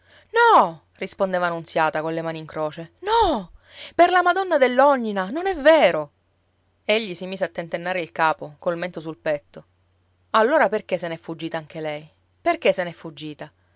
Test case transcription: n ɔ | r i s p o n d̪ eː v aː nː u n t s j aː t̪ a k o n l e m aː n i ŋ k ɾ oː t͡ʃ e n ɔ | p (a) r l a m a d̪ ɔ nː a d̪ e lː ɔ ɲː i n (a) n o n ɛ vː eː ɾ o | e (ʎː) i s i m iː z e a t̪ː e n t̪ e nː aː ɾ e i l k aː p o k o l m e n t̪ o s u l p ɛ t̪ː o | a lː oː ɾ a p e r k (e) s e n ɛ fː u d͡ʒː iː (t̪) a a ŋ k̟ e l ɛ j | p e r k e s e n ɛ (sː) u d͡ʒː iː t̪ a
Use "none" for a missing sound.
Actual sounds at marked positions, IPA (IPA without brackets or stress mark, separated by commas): e, a, ʎː, e, t̪, fː